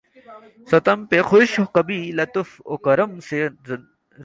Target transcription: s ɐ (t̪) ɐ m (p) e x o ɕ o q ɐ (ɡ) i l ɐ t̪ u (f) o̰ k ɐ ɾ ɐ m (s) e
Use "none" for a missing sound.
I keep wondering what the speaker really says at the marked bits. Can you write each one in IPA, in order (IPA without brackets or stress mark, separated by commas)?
t̪, p, b, f, s